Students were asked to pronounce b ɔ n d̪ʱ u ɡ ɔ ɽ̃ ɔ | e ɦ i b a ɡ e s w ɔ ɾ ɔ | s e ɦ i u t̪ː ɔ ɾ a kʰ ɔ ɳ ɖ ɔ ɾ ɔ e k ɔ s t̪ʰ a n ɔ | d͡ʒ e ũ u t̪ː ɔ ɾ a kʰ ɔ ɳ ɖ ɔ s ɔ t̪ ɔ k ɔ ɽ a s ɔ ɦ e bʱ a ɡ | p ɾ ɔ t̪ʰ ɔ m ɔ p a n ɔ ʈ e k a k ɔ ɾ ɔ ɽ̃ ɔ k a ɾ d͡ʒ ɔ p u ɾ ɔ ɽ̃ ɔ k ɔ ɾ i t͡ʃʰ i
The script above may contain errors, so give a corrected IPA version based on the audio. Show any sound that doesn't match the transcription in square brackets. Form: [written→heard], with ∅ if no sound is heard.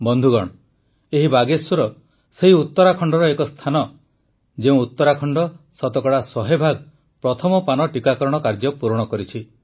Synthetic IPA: b ɔ n d̪ʱ u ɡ ɔ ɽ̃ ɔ | e ɦ i b a ɡ e s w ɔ ɾ ɔ | s e ɦ i u t̪ː ɔ ɾ a kʰ ɔ ɳ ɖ ɔ ɾ ɔ e k ɔ s t̪ʰ a n ɔ | d͡ʒ e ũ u t̪ː ɔ ɾ a kʰ ɔ ɳ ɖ ɔ s ɔ t̪ ɔ k ɔ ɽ a s ɔ ɦ e bʱ a ɡ | p ɾ ɔ t̪ʰ ɔ m ɔ p a n ɔ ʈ [e→i] k a k ɔ ɾ ɔ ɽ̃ ɔ k a ɾ d͡ʒ ɔ p u ɾ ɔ ɽ̃ ɔ k ɔ ɾ i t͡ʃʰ i